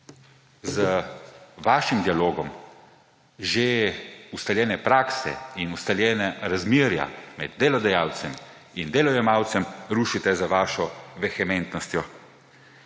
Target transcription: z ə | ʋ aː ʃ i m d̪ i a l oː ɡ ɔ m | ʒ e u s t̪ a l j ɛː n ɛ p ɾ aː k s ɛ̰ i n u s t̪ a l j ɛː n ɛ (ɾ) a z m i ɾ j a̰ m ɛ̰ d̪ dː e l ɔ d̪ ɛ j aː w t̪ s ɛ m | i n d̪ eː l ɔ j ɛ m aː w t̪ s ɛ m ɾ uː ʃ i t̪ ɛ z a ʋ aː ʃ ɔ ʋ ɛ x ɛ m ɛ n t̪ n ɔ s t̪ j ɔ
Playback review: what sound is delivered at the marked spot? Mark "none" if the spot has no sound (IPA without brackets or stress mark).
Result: ɾ